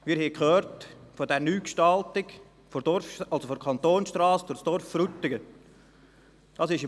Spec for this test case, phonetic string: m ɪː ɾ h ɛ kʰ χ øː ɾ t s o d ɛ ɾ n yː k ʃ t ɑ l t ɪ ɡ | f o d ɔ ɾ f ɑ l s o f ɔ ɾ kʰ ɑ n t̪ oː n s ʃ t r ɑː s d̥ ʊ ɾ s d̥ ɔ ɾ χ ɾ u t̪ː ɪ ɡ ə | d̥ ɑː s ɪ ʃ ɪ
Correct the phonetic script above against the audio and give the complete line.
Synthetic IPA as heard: m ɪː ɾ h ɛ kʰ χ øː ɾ t f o d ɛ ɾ n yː k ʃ t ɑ l t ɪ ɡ | f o d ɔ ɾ f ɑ l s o f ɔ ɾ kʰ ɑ n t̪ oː n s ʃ t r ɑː s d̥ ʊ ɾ s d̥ ɔ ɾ f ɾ u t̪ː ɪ ɡ ə | d̥ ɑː s ɪ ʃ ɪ